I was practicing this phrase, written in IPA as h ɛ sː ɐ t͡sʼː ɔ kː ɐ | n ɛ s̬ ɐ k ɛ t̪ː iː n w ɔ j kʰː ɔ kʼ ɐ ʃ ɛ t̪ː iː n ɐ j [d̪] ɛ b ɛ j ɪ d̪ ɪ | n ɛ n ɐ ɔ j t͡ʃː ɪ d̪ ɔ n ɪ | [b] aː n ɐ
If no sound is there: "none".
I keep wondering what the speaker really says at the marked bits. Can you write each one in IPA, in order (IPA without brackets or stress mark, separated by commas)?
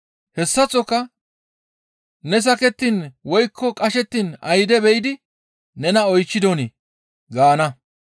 d̪, ɡ